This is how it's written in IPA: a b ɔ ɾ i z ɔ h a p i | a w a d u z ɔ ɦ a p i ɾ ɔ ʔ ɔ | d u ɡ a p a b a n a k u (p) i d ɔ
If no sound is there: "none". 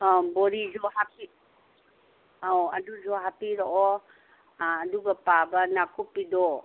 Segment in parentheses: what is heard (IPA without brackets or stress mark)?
p